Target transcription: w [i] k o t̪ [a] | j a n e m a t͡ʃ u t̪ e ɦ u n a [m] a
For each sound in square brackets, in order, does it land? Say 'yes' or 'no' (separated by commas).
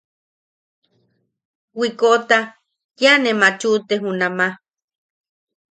yes, yes, yes